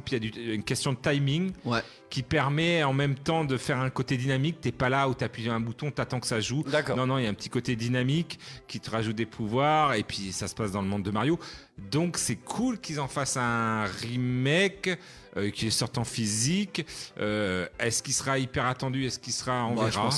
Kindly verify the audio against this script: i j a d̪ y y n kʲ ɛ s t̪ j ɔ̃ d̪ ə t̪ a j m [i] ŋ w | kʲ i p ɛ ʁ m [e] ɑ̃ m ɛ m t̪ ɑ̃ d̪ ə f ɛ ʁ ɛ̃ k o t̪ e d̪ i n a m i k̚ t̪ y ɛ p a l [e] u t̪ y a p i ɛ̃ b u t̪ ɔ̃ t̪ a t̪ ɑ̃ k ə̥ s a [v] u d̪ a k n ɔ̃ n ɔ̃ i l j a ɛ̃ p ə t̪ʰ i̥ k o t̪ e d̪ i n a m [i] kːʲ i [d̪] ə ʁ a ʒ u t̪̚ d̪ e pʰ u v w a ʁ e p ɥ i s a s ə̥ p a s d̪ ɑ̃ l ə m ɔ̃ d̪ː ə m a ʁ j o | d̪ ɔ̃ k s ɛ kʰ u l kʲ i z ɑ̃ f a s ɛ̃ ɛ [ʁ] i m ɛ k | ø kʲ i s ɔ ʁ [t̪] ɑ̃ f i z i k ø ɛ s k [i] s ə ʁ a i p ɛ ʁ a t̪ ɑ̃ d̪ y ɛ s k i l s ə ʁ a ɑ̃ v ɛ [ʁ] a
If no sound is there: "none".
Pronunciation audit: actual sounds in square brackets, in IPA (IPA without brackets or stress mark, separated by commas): i, ɛ, a, ʒ, i, t̪, ʁ, t̪, i, ʁ